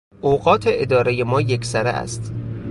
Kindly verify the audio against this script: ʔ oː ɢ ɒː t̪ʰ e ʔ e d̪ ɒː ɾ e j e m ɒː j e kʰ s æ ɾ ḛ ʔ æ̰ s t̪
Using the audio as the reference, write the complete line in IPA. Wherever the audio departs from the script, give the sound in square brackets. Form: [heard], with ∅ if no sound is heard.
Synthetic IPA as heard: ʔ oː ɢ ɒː t̪ʰ e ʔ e d̪ ɒː ɾ e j e m ɒː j e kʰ s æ ɾ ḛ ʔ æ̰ s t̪